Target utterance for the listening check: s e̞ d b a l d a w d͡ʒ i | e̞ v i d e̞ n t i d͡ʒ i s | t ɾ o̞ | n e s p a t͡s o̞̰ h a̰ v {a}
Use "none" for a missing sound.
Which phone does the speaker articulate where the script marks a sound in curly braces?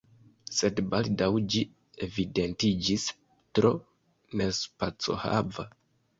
a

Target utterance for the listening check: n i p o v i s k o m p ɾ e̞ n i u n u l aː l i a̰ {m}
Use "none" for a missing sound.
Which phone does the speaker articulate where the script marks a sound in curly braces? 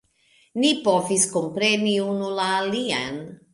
n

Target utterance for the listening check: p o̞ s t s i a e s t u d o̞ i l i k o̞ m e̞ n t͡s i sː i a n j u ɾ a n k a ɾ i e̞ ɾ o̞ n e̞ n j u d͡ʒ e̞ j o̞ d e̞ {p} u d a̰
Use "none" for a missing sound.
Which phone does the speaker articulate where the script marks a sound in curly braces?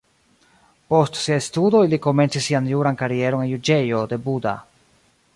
b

